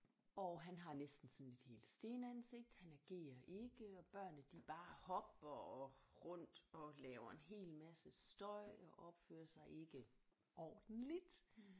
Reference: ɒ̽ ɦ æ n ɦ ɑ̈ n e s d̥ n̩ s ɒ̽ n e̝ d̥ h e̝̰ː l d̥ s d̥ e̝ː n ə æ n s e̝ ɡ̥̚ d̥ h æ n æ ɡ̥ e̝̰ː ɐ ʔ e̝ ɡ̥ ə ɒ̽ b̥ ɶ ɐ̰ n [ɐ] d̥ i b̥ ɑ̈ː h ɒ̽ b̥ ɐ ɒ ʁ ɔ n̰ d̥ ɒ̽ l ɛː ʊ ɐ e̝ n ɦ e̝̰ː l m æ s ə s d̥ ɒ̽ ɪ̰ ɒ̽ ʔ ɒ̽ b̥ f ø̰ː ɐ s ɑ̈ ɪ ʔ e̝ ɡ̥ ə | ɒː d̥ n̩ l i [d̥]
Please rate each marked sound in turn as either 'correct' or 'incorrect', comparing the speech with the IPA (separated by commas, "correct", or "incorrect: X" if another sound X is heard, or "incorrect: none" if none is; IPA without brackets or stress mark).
incorrect: ə, correct